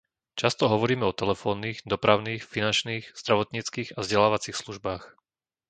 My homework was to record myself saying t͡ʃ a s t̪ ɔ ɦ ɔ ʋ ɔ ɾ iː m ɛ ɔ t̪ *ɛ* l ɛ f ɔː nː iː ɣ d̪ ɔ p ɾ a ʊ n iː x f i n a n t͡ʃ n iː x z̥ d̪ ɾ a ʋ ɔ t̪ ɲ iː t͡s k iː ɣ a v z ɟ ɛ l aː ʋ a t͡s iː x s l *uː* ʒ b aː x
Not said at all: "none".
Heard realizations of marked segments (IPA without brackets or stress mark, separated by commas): ɛ, u